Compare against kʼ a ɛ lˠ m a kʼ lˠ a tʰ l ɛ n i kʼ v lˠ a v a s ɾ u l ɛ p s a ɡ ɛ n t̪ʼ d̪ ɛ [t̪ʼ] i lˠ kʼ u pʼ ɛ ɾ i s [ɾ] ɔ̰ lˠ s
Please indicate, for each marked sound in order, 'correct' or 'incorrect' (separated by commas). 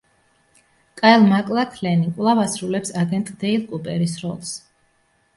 incorrect, correct